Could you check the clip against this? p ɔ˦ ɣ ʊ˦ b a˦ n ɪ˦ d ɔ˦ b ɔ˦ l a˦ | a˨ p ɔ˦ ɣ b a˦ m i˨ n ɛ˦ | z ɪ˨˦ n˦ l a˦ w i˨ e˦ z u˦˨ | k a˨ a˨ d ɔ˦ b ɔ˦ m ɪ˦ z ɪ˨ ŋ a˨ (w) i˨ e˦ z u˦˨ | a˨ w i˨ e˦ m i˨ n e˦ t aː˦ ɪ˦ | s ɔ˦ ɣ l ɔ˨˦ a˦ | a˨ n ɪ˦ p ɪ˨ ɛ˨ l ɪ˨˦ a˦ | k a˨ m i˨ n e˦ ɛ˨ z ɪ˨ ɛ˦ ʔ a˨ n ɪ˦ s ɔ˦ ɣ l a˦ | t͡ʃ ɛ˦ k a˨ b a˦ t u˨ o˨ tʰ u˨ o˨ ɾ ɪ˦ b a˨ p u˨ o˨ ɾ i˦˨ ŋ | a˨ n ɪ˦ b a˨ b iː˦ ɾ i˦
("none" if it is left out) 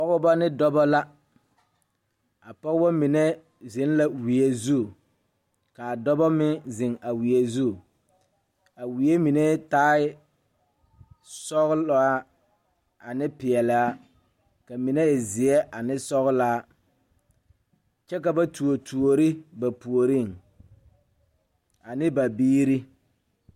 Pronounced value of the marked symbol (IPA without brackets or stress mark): w